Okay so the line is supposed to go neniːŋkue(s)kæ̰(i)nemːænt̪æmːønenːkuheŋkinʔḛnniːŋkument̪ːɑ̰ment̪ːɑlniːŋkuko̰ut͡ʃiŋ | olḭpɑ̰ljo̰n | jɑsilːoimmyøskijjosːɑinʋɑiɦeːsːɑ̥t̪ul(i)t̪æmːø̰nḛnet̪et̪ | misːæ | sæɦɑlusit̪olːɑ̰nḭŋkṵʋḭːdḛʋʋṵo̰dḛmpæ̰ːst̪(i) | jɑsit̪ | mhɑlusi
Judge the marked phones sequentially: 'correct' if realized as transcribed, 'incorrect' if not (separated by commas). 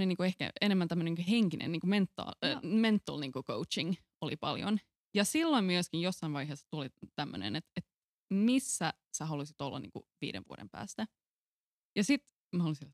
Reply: incorrect, incorrect, correct, incorrect